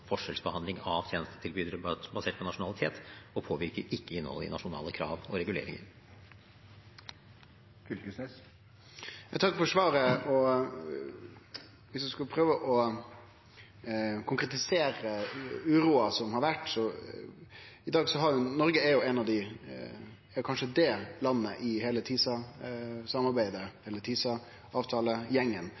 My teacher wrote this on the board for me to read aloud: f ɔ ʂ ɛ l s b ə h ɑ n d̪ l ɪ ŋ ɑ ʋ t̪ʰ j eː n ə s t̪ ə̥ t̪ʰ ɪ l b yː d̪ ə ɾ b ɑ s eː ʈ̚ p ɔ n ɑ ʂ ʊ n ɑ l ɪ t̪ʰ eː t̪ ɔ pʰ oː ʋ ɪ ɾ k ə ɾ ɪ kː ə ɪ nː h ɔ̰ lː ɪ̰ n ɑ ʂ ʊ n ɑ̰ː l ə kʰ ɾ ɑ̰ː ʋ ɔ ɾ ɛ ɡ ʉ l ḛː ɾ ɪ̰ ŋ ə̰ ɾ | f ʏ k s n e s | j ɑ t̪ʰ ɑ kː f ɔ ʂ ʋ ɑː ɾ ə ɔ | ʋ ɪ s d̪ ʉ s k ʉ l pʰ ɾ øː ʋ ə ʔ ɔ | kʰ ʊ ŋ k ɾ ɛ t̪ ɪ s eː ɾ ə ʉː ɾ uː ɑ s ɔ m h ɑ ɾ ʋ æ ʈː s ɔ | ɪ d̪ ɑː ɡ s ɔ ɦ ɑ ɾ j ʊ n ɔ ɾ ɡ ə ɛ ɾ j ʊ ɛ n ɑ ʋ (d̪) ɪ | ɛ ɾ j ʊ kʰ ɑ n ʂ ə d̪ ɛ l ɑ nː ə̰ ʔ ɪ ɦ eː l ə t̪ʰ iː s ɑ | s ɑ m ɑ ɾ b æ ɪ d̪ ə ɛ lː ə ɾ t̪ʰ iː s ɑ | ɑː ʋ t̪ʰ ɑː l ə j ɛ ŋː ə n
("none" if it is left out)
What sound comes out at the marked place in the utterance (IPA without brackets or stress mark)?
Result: d̪